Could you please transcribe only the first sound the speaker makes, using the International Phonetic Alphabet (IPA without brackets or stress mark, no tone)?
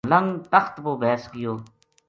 l